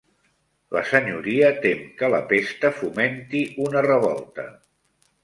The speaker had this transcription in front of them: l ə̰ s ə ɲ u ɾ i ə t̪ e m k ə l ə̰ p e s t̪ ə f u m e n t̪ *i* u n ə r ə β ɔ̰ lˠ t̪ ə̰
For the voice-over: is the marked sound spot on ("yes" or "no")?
yes